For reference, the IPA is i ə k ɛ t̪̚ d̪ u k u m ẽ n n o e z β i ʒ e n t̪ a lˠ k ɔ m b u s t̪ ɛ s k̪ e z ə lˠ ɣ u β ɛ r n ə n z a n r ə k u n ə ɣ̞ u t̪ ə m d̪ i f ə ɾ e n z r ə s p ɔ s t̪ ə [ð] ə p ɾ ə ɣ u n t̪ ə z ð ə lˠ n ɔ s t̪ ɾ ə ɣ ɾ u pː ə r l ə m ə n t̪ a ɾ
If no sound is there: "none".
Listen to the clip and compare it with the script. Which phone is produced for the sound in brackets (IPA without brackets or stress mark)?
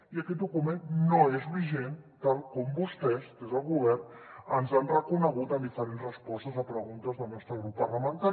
z